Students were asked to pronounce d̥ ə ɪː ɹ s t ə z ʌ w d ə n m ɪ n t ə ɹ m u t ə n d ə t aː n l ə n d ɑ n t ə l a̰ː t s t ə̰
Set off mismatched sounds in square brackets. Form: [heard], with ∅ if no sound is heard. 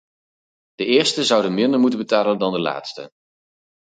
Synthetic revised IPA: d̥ ə ɪː ɹ s t ə z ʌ w d ə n m ɪ n [d] ə ɹ m u t ə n [b] ə t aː [∅] l ə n d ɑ n [d] ə l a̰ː t s t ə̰